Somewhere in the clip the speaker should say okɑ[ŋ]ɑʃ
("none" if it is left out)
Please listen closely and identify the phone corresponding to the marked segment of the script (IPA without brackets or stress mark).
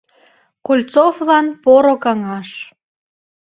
ŋ